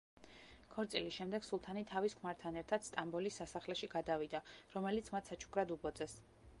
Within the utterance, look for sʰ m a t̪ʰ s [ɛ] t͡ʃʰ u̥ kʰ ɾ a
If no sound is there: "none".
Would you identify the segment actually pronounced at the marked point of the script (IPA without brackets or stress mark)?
a